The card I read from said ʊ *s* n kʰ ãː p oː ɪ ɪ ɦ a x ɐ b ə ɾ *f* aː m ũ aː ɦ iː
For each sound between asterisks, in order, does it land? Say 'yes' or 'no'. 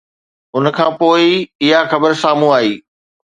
no, no

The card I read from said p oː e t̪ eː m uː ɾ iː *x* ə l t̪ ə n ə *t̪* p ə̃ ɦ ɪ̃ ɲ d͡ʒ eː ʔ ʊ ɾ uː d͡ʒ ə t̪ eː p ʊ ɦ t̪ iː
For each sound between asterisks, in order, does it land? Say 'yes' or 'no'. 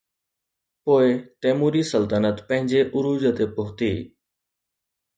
no, yes

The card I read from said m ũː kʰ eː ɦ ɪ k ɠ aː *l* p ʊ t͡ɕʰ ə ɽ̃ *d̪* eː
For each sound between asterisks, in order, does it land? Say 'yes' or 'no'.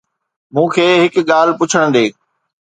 yes, yes

